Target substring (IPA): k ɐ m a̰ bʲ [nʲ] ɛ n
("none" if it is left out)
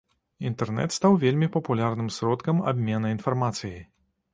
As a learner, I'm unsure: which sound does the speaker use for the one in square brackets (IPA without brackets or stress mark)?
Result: mʲ